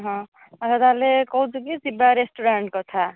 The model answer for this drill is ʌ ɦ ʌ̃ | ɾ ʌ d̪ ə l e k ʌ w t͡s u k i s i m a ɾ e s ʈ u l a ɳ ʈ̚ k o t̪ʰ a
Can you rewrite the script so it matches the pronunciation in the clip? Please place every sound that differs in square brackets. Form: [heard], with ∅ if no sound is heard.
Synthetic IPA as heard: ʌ ɦ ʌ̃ | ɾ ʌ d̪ [a] l e k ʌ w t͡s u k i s i [b] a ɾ e s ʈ u [ɾ] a ɳ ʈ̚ k o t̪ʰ a